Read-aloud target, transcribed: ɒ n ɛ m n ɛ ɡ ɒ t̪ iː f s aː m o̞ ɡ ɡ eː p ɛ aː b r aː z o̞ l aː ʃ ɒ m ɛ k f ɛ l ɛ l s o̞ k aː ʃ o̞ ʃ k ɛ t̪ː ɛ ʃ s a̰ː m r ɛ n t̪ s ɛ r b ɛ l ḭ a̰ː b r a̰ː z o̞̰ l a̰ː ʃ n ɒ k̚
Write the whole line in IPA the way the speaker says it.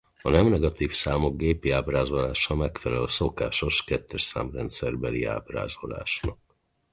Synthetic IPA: ɒ n ɛ m n ɛ ɡ ɒ t̪ iː f s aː m o̞ ɡ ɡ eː p i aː b r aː z o̞ l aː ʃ ɒ m ɛ k f ɛ l ɛ l s o̞ k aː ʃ o̞ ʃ k ɛ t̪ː ɛ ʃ s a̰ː m r ɛ n t̪ s ɛ r b ɛ l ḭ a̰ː b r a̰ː z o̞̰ l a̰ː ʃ n ɒ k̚